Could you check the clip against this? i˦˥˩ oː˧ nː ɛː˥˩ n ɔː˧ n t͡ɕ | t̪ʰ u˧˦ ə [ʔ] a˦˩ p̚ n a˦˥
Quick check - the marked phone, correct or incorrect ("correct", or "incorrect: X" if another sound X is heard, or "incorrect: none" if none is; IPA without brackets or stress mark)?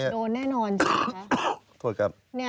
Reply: incorrect: k